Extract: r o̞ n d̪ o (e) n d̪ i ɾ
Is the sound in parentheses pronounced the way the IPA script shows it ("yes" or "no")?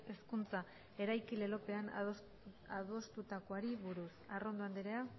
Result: no